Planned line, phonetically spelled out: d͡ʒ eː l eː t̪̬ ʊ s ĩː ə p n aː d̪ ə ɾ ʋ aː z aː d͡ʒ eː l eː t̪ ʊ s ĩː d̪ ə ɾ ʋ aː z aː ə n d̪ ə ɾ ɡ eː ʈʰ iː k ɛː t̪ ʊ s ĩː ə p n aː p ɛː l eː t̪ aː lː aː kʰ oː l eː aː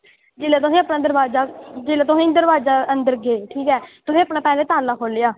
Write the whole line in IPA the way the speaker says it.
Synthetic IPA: d͡ʒ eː l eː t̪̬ ʊ s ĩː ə p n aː d̪ ə ɾ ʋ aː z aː d͡ʒ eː l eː t̪ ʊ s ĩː d̪ ə ɾ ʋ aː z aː ə n d̪ ə ɾ ɡ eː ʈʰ iː k ɛː t̪ ʊ s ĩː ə p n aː p ɛː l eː t̪ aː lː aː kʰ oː l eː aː

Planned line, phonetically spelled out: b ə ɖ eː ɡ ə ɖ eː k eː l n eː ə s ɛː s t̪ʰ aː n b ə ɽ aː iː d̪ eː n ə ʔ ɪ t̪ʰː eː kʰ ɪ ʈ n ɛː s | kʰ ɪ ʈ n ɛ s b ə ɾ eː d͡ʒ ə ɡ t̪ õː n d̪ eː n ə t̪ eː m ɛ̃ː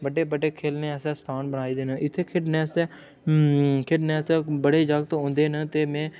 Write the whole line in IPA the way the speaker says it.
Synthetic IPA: b ə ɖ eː b ə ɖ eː kʰ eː l n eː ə s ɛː s t̪ʰ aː n b ə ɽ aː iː d̪ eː n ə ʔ ɪ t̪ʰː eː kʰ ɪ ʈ n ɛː s | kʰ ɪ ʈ n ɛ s b ə ɽ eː d͡ʒ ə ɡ t̪ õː n d̪ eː n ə t̪ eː m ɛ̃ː

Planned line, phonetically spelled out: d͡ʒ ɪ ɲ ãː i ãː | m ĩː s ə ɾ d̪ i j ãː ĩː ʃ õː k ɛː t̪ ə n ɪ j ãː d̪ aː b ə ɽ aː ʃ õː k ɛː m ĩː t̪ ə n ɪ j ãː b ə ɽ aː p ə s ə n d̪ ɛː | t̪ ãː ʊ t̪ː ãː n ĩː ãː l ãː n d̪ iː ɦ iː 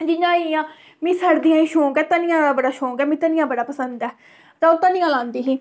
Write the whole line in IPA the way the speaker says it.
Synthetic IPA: d͡ʒ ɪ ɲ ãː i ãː | m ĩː s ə ɾ d̪ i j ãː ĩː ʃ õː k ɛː t̪ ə n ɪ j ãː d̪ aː b ə ɽ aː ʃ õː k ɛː m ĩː t̪ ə n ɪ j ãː b ə ɽ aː p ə s ə n d̪ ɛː | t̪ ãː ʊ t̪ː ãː n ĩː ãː l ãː n d̪ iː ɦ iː

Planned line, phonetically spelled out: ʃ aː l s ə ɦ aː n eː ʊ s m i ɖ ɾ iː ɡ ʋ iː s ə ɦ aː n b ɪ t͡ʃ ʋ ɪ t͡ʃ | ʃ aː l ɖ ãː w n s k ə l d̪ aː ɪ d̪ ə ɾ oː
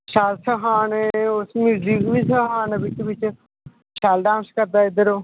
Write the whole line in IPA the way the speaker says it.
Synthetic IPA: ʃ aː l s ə ɦ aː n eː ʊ s m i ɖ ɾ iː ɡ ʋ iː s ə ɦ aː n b ɪ t͡ʃ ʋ ɪ t͡ʃ | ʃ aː l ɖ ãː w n s k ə ɾ d̪ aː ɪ d̪ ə ɾ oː

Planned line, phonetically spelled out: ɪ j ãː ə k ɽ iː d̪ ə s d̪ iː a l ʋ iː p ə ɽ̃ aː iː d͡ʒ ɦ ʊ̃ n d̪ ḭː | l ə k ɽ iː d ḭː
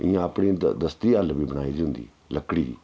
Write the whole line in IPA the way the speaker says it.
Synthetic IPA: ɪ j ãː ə p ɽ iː d̪ ə s t̪ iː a l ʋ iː b ə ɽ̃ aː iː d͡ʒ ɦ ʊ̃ n d̪ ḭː | l ə k ɽ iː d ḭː

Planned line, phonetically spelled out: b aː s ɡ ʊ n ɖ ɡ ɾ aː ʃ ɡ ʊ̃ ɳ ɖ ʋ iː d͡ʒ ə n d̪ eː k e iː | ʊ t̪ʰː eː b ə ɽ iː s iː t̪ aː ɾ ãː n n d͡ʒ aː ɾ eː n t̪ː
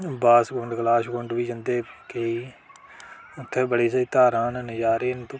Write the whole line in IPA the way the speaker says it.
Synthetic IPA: b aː s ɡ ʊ ɳ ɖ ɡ l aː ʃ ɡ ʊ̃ ɳ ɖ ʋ iː d͡ʒ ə n d̪ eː k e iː | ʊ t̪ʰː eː b ə ɽ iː s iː t̪ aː ɾ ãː n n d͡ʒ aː ɾ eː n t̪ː

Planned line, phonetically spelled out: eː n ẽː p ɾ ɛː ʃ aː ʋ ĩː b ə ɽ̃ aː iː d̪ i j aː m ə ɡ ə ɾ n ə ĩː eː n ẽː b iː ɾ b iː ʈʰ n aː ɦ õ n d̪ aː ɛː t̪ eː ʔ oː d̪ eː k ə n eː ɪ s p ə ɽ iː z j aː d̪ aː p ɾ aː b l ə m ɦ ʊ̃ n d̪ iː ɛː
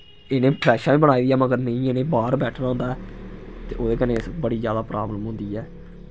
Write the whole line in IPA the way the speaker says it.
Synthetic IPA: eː n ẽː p ɾ ɛː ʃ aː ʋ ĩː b ə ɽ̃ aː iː d̪ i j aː m ə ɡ ə ɾ n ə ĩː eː n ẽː b aː ɾ b ɛː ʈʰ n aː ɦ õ n d̪ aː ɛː t̪ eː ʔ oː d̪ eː k ə n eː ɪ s b ə ɽ iː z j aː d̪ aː p ɾ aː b l ə m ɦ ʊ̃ n d̪ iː ɛː

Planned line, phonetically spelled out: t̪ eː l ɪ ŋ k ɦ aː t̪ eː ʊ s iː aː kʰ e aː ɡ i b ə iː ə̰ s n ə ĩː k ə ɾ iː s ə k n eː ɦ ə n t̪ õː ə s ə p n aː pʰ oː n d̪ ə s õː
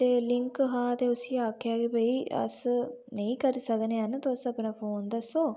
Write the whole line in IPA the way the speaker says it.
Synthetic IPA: t̪ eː l ɪ ŋ k ɦ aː t̪ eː ʊ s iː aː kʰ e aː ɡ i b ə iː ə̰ s n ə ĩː k ə ɾ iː s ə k n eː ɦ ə n t̪ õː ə s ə p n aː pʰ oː n d̪ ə s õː

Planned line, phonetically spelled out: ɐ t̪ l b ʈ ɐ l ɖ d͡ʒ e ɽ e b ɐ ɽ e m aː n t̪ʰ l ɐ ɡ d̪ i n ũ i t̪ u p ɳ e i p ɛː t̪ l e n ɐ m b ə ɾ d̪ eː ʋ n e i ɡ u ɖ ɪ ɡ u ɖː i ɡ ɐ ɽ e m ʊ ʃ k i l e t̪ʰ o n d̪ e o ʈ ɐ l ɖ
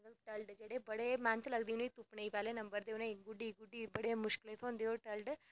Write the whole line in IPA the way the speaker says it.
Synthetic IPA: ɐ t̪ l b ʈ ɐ l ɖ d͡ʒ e ɽ e b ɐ ɽ e m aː n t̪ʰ l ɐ ɡ d̪ i n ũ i t̪ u p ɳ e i p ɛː l e n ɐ m b ə ɾ d̪ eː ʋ n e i ɡ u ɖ i ɡ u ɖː i b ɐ ɽ e m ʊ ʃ k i l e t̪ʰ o n d̪ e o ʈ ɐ l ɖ

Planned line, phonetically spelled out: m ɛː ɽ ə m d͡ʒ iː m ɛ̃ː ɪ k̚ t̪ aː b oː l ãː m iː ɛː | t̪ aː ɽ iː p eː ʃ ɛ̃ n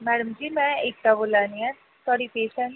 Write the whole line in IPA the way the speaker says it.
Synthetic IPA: m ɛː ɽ ə m d͡ʒ iː m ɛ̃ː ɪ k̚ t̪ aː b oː l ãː n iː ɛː | t̪ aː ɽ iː p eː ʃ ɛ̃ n

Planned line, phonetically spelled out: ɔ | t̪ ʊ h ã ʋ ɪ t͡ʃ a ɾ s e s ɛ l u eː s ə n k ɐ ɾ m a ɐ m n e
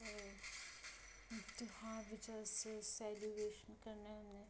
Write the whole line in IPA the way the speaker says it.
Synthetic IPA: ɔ | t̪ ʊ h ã ʋ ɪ t͡ʃ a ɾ s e s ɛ l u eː ʃ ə n k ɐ ɾ n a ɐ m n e

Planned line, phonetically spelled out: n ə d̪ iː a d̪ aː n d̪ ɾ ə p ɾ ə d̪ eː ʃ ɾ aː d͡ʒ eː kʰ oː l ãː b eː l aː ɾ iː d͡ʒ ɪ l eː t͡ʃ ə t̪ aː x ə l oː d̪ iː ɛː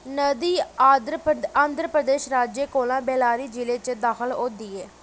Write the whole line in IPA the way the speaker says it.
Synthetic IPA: n ə d̪ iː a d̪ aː n d̪ ɾ ə p ɾ ə d̪ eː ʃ ɾ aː d͡ʒ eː k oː l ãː b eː l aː ɾ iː d͡ʒ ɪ l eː t͡ʃ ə d̪ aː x ə l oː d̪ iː ɛː

